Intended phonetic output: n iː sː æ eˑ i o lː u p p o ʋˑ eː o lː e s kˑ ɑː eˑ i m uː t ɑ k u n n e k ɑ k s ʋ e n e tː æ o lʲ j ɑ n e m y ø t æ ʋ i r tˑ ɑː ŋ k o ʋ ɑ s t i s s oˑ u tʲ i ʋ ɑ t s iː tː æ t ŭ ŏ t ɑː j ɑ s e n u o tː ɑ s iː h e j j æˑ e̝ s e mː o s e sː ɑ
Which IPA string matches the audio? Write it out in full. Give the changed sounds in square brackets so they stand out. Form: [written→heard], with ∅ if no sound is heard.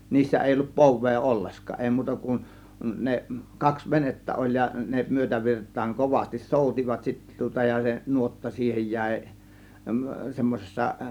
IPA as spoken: n iː sː æ eˑ i o lː u p p o ʋˑ eː o lː e s kˑ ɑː eˑ i m uː t ɑ k u n n e k ɑ k s ʋ e n e tː æ o lʲ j ɑ n e m y ø t æ ʋ i r tˑ ɑː ŋ k o ʋ ɑ s t i s s oˑ u tʲ i ʋ ɑ t s [iː→i] tː æ t ŭ ŏ t [ɑː→ɑ] j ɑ s e n u o tː ɑ s iː h e j j æˑ e̝ s e mː o s e sː ɑ